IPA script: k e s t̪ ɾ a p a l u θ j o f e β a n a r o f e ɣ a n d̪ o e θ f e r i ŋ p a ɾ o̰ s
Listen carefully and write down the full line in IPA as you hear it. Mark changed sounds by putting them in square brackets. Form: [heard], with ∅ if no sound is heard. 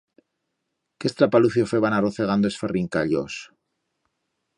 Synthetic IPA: k e s t̪ ɾ a p a l u θ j o f e β a n a r o [θ] e ɣ a n d̪ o e [s] f e r i ŋ [k] a [ʎ] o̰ s

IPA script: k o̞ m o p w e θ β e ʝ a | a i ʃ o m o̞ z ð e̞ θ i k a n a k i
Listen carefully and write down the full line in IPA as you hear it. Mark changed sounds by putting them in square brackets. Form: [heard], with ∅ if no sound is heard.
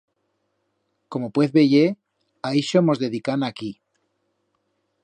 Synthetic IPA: k o̞ m o p w e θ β e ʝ [e] | a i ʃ o m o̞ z ð e̞ [ð] i k a n a k i

